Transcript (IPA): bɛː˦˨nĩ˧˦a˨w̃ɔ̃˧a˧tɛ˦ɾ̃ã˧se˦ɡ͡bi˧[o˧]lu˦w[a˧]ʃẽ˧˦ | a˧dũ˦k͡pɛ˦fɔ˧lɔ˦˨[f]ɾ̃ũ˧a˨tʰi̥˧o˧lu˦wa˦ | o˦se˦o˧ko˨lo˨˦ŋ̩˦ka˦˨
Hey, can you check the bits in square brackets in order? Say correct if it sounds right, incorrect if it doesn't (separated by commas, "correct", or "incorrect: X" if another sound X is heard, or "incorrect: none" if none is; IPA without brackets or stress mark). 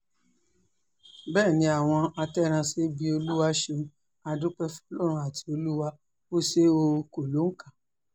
correct, correct, incorrect: none